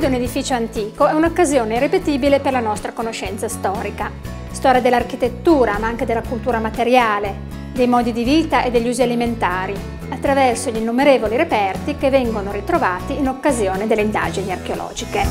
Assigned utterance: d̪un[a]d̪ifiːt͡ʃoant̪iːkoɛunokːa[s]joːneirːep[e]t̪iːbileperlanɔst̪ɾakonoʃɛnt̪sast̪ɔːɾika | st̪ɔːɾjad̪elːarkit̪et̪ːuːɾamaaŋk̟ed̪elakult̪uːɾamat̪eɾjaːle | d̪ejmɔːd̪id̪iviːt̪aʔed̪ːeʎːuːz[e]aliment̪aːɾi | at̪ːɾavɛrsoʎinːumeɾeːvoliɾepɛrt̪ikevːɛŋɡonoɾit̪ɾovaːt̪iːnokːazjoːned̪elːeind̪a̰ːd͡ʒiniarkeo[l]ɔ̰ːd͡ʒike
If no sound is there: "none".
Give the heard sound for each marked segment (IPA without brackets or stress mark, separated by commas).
e, z, e, i, l